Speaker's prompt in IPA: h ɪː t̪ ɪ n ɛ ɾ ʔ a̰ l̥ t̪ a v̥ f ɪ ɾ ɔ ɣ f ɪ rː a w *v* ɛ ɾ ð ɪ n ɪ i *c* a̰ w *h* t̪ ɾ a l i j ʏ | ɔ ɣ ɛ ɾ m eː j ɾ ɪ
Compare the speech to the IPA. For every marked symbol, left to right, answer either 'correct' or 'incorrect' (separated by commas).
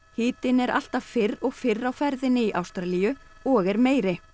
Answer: incorrect, incorrect, incorrect